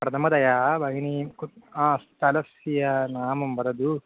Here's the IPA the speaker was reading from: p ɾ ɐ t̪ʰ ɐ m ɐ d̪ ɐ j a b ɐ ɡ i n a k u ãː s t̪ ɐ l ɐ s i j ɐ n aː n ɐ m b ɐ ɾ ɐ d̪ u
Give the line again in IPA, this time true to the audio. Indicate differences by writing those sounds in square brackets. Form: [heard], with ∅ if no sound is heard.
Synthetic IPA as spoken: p ɾ ɐ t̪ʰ ɐ m ɐ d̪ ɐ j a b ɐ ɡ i n [i] k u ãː s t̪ ɐ l ɐ s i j ɐ n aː [m] ɐ m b ɐ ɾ ɐ d̪ u